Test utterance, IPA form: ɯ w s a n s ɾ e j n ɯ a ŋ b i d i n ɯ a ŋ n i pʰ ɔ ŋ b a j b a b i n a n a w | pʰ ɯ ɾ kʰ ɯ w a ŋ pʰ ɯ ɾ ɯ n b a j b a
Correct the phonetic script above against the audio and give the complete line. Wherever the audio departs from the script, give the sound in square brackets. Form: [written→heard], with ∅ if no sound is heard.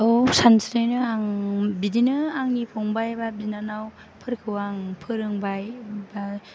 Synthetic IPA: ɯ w s a n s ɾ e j n ɯ a ŋ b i d i n ɯ a ŋ n i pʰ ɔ ŋ b a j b a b i n a n a w | pʰ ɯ ɾ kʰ ɯ w a ŋ pʰ ɯ ɾ ɯ [n→ŋ] b a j b a